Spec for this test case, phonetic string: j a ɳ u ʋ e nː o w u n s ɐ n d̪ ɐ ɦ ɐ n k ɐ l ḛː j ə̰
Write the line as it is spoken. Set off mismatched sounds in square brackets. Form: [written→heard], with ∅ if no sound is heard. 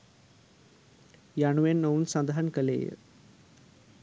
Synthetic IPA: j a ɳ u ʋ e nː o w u n s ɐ n d̪ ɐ ɦ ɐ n k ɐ l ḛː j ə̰

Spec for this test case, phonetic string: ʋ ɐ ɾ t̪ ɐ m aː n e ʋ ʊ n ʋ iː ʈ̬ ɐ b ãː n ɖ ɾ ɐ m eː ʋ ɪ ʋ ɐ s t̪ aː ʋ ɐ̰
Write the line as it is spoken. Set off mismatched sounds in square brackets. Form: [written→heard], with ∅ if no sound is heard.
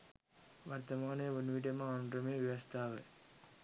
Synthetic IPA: ʋ ɐ ɾ t̪ ɐ m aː n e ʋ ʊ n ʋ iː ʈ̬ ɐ [b→m] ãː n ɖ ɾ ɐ m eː ʋ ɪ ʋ ɐ s t̪ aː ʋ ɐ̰

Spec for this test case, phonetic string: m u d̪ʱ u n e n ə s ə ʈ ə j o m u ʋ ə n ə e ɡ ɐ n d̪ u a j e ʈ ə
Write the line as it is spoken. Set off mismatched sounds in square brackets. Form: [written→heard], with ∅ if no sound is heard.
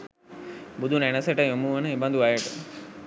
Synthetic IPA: [m→b] u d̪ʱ u n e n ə s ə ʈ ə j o m u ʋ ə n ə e [ɡ→b] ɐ n d̪ u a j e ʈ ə

